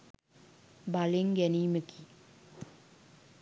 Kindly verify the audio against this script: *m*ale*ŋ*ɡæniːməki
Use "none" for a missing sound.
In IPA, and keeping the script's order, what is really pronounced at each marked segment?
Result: b, ŋ

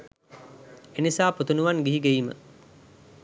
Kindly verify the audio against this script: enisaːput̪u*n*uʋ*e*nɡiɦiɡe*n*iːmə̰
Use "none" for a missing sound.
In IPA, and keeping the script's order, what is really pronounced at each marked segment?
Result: n, a, none

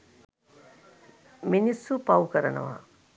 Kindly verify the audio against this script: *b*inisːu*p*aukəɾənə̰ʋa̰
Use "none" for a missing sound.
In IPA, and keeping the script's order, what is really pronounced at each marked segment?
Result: m, p

